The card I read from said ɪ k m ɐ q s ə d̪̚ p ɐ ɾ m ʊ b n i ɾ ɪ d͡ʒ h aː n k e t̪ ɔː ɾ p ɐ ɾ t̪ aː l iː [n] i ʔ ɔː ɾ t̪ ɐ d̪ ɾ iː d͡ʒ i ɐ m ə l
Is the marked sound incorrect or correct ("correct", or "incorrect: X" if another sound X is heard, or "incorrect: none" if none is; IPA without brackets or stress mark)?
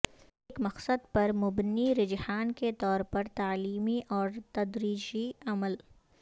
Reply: incorrect: m